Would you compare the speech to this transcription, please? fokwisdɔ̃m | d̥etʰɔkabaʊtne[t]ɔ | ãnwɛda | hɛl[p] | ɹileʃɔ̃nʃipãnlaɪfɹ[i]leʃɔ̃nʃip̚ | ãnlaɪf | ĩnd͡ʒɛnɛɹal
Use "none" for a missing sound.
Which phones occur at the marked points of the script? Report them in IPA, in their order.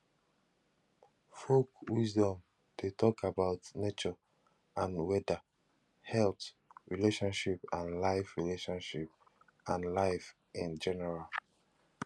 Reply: t͡ʃ, t, i

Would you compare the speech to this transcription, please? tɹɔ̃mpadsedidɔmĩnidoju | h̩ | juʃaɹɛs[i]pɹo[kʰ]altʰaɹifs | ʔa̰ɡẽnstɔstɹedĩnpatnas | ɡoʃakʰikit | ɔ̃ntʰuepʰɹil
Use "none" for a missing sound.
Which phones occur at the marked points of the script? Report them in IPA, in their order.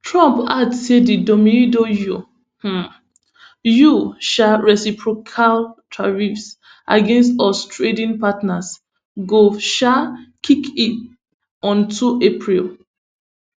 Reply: i, kʰ

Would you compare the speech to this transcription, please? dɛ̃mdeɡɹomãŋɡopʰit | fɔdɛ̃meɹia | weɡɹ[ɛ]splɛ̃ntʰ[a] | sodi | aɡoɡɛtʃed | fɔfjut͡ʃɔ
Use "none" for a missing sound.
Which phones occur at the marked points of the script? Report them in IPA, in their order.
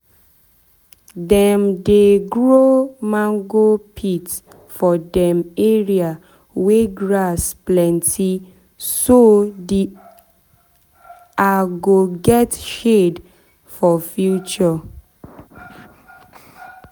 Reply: a, i

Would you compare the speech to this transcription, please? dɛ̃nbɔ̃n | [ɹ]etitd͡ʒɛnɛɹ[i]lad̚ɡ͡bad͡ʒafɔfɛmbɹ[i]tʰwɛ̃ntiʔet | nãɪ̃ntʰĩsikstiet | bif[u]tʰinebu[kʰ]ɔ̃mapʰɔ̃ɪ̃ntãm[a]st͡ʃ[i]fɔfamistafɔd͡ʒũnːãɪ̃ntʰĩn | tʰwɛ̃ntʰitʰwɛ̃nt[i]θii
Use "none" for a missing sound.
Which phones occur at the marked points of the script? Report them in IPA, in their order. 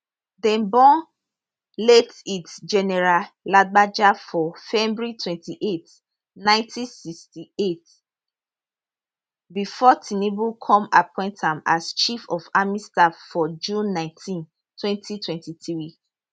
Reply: l, a, i, ɔ, kʰ, a, i, i

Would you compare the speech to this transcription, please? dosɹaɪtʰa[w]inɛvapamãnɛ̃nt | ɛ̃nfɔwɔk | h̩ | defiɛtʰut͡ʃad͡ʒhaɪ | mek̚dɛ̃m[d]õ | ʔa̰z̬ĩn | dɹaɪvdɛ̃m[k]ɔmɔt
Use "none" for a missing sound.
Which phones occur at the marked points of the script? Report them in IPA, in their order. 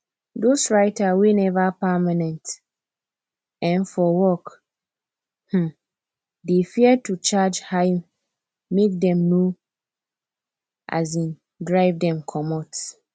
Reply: w, n, kʰ

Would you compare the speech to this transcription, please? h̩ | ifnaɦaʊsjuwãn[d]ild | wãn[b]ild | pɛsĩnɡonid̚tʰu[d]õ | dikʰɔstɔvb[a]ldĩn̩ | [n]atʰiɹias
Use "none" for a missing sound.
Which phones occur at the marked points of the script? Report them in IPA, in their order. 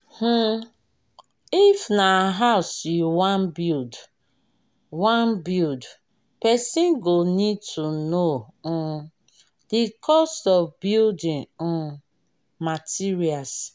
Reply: b, b, n, i, m

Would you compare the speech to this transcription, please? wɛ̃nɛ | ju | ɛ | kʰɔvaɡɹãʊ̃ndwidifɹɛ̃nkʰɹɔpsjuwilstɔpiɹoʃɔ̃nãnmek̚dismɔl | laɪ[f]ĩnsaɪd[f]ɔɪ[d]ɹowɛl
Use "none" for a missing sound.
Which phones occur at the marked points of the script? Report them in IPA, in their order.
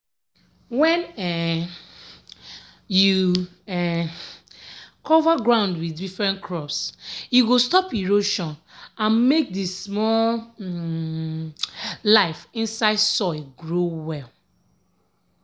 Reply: f, s, ɡ

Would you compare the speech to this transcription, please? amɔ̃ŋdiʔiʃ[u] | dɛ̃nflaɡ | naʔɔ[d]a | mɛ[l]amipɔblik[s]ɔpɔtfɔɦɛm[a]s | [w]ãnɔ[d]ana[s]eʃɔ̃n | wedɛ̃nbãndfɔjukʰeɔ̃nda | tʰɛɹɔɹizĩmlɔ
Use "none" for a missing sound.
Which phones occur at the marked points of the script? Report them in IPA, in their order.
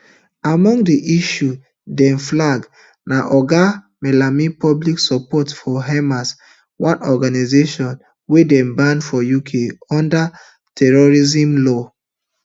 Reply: u, ɡ, l, s, a, w, ɡ, z

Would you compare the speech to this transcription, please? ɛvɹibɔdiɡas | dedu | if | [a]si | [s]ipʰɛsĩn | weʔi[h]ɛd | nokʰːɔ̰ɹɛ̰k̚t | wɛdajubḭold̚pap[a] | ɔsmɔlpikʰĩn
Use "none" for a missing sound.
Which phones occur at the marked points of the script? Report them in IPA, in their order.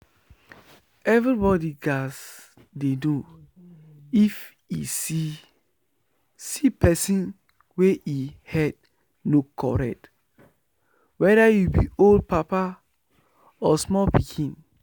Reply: i, s, h, a

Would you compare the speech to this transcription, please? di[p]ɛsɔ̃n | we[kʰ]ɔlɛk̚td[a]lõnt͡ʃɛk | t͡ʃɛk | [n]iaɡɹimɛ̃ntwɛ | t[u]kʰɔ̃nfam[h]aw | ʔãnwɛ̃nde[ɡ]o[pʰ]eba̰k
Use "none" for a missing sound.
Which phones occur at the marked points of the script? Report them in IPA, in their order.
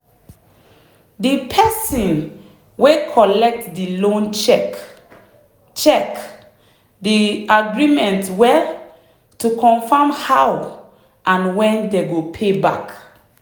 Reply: pʰ, kʰ, i, d, u, h, ɡ, pʰ

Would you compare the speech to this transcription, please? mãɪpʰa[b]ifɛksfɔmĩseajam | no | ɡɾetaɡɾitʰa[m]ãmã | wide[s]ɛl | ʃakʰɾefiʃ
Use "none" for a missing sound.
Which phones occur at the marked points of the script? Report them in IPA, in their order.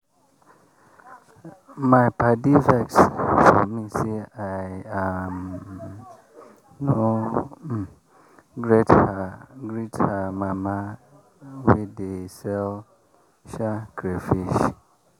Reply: d, m, s

